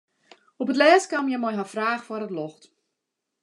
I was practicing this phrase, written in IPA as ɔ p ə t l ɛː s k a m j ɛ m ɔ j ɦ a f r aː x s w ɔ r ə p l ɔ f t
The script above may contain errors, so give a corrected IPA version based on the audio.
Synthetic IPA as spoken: ɔ p ə t l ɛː s k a m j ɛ m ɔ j ɦ a f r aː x f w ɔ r ə t l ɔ x t